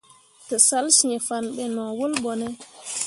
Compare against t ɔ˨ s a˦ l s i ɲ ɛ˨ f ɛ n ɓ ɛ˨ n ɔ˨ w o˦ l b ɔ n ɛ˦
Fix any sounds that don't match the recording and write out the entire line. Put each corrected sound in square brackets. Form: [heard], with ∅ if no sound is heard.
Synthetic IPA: t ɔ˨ s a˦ l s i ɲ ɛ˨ f [a] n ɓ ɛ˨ n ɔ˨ w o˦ l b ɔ n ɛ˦